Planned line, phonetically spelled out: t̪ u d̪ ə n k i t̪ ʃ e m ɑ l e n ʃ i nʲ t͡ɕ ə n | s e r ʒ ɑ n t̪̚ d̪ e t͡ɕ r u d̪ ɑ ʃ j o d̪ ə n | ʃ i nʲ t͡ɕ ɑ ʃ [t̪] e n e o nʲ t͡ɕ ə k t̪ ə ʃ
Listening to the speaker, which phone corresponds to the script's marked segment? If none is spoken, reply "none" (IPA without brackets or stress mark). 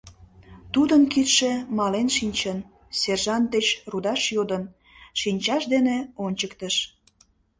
d̪